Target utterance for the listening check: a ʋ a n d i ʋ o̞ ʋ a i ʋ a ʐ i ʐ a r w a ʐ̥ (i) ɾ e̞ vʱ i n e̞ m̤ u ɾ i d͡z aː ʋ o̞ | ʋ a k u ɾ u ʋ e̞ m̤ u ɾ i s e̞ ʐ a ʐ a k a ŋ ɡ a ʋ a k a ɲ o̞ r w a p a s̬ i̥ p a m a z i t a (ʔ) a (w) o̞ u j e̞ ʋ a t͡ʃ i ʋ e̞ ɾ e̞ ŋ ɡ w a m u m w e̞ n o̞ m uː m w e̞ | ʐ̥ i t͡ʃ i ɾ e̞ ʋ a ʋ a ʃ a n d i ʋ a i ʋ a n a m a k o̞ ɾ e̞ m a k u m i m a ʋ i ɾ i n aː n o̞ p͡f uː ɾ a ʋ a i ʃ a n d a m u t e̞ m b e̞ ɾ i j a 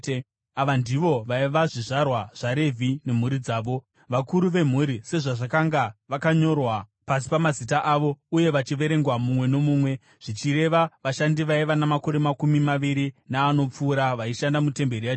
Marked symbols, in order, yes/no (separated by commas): no, yes, no